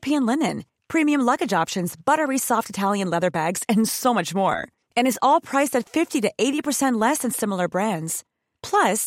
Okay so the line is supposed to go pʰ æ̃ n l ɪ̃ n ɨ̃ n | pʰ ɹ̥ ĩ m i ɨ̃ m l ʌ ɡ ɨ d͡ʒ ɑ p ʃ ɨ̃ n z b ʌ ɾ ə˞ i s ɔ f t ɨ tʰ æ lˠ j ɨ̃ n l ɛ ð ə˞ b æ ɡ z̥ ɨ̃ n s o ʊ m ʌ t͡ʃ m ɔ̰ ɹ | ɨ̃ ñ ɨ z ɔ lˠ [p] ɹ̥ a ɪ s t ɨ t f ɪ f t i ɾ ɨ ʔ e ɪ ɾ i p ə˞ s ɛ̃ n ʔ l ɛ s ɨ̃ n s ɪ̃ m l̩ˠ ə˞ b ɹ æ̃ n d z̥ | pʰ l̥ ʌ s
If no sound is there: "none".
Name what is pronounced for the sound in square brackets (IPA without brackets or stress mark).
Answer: pʰ